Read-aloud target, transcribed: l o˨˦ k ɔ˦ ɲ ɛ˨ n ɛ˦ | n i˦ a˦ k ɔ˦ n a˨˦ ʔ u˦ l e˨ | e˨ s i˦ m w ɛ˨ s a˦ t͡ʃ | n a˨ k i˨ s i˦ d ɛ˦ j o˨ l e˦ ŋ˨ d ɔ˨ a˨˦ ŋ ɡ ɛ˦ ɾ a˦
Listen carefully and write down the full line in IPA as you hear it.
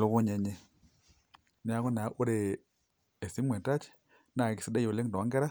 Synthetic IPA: l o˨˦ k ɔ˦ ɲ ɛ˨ ɲ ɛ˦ | n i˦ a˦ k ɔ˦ n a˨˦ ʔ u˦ ɾ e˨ | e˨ s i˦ m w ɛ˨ t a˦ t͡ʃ | n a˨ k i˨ s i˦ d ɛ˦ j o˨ l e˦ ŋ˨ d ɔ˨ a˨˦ ŋ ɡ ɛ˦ ɾ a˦